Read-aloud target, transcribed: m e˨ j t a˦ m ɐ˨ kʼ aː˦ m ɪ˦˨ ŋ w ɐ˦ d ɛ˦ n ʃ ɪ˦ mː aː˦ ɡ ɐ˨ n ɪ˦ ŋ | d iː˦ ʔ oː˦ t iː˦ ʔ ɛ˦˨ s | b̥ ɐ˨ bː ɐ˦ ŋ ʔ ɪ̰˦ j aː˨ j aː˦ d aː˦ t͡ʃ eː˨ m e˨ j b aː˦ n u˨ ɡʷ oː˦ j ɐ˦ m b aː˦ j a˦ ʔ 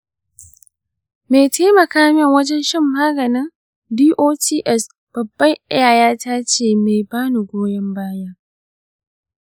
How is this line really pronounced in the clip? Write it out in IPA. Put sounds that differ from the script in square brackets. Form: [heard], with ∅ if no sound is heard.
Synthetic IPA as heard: m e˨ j t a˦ m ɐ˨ [k] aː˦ m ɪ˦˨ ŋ w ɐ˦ [d͡ʒ] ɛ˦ n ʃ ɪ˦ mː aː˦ ɡ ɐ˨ n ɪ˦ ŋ | d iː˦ ʔ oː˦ t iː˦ ʔ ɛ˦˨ s | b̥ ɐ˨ bː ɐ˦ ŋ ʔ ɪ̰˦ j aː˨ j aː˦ [t] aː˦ t͡ʃ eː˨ m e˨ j b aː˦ n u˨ ɡʷ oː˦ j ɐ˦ m b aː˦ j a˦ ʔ